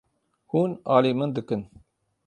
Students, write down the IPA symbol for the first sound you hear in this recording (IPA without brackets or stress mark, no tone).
h